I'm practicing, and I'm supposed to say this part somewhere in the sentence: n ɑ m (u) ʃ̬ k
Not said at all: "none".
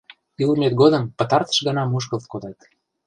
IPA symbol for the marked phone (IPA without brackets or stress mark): u